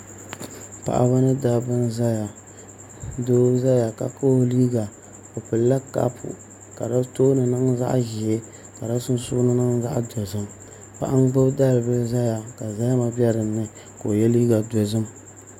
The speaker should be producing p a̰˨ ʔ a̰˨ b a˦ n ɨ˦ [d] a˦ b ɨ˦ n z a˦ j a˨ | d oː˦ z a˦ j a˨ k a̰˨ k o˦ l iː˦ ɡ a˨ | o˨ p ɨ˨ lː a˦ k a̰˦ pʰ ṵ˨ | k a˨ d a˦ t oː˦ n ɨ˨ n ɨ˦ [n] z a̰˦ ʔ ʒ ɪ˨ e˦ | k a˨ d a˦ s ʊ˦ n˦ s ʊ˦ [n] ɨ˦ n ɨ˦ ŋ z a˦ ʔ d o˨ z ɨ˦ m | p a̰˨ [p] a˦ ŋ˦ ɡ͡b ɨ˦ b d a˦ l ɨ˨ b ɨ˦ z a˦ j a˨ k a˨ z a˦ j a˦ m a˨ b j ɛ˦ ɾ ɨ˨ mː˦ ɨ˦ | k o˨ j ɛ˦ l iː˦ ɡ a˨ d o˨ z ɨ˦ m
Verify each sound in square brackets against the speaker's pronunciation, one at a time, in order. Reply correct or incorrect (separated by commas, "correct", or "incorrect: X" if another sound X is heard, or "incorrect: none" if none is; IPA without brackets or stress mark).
correct, incorrect: ŋ, correct, incorrect: ʔ